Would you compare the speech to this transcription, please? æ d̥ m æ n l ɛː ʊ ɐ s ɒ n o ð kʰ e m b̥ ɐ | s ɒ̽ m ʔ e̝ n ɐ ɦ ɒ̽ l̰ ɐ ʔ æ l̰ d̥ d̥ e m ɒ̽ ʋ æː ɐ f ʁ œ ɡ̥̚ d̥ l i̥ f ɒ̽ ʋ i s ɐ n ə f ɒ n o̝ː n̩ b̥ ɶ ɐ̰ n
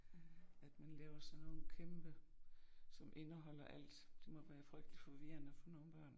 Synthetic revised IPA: æ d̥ m æ n l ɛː ʊ ɐ s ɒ n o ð kʰ e m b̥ ə | s ɒ̽ m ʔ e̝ n ə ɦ ɒ̽ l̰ ɐ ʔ æ l̰ d̥ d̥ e m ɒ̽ ʋ æː ɐ f ʁ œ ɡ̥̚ d̥ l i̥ f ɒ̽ ʋ i ɐ n ə f ɒ n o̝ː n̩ b̥ ɶ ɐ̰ n